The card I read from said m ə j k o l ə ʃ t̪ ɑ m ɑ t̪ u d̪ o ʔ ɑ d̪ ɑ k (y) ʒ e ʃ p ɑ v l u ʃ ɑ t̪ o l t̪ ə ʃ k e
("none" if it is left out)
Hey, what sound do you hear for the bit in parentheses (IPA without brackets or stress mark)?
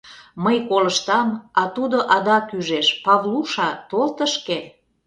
y